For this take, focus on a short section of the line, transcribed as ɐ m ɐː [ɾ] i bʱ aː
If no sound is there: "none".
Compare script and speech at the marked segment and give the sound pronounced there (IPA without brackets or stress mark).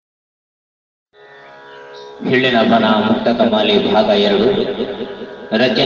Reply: l